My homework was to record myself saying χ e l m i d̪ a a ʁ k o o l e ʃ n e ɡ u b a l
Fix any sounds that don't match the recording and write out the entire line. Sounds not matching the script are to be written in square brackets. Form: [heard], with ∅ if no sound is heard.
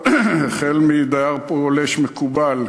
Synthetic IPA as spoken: χ e l m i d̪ a a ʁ [p] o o l e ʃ [m] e [k] u b a l

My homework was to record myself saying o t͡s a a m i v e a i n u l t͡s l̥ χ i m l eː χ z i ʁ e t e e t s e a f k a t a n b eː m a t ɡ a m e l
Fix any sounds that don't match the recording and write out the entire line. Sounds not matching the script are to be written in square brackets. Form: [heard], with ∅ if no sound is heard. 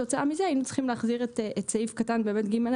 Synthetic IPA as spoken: o t͡s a a m i [z] e a i n u [∅] t͡s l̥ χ i m l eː χ z i ʁ e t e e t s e [i] f k a t a n b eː m [e] t ɡ [i] m e l

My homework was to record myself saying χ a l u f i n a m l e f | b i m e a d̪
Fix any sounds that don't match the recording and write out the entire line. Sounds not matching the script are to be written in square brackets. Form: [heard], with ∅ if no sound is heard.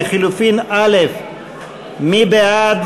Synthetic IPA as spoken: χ [i] l u f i n a [∅] l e f | [m] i [b] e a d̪

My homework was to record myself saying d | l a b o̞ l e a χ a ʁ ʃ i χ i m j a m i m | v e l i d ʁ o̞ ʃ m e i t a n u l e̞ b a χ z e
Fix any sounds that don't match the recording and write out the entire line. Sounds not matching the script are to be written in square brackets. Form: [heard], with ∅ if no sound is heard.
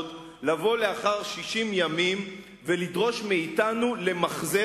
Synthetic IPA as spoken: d | l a [v] o̞ l e a χ a ʁ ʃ i [ʃ] i m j a m i m | v e l i d ʁ o̞ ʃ m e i t a n u l e̞ [m] a χ z e

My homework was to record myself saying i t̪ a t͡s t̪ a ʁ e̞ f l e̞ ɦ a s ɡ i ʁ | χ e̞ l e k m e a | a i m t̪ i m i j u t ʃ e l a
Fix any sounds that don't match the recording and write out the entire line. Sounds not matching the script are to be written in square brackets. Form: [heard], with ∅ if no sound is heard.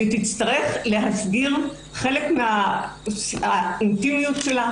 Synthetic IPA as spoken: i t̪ [i] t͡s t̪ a ʁ e̞ [χ] l e̞ ɦ a s ɡ i ʁ | χ e̞ l e k m e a | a i [n] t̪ i m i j u t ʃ e l a

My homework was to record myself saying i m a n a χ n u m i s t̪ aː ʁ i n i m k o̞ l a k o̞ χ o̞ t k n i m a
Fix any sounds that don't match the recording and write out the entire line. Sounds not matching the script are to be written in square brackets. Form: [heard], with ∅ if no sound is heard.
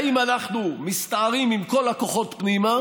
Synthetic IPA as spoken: i m a n a χ n u m i s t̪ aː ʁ i [m] i m k o̞ l a k o̞ χ o̞ t [p] n i m a

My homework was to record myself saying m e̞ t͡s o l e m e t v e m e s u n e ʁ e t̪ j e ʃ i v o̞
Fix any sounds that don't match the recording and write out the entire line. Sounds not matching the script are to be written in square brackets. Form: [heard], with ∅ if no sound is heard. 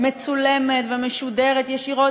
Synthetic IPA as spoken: m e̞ t͡s [u] l e m e t v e m e [ʃ] u [d] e ʁ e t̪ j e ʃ i [ʁ] o̞

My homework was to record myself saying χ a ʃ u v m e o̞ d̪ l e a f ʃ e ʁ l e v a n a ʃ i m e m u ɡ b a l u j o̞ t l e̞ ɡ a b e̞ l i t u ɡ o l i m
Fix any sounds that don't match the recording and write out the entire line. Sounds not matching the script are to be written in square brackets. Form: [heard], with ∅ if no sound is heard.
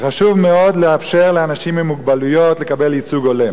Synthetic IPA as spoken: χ a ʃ u v m e o̞ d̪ l e a f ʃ e ʁ l e [∅] a n a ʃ i m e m u ɡ b a l u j o̞ t l e̞ [k] a b e̞ l i [t͡s] u ɡ o l [e] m

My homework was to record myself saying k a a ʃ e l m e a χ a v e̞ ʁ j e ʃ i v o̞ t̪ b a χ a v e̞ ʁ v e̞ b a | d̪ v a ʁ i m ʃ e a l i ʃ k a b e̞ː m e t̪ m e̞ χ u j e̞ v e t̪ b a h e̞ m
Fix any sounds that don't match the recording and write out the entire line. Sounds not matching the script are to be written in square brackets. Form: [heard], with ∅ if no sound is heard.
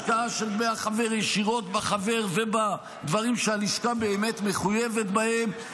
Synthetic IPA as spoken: k a a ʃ e l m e a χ a v e̞ ʁ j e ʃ i [ʁ] o̞ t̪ b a χ a v e̞ ʁ v e̞ b a | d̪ v a ʁ i m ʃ e a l i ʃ k a b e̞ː m e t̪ m e̞ χ u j e̞ v e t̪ b a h e̞ m

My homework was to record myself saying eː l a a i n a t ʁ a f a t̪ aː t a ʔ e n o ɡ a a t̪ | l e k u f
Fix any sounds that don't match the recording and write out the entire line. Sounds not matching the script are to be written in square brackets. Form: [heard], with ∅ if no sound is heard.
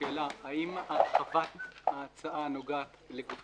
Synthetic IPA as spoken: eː l a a i [m] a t [χ] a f a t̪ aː [t͡s] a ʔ [a] n o ɡ a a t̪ | l e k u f

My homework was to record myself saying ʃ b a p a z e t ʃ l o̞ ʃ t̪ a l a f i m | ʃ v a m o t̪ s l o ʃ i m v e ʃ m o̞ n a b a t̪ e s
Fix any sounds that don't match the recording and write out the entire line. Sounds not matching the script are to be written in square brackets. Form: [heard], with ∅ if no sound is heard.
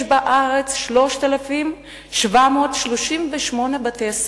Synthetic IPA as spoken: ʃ b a [ʔ] a [ʁ] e [t͡s] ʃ l o̞ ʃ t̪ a l a f i m | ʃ v a m o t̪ [ʃ] l o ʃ i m v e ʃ m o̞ n [e] b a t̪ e s

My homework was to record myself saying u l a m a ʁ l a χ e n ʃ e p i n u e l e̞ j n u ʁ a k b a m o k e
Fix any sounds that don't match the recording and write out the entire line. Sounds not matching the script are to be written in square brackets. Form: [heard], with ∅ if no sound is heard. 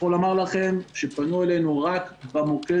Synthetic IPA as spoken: [o] l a m a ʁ l a χ e [m] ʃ e p [a] n u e l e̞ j n u ʁ a k b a m o k e

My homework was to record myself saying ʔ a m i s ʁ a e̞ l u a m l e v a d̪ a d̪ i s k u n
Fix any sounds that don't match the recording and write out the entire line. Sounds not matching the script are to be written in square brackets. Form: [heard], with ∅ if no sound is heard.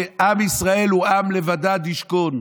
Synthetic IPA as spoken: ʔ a m i s ʁ a e̞ l u a m l e v a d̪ a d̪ i [ʃ] k [o] n

